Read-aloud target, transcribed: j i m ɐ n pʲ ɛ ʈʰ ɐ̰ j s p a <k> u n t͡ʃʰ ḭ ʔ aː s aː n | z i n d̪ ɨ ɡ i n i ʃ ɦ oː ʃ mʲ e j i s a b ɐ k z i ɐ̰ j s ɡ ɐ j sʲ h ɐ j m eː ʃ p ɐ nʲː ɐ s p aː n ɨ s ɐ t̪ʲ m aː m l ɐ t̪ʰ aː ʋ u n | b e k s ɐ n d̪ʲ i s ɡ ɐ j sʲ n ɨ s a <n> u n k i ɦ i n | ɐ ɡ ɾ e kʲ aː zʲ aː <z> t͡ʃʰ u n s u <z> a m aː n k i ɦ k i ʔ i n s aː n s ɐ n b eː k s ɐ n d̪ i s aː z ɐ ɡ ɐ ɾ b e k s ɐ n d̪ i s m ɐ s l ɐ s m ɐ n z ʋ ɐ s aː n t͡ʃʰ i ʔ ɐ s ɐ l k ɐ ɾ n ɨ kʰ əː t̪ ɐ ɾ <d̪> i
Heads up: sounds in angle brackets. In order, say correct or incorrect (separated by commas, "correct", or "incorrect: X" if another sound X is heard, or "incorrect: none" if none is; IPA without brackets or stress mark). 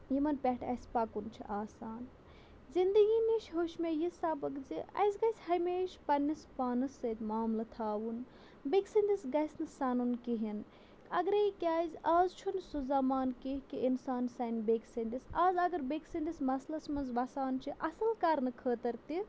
correct, correct, correct, correct, incorrect: t̪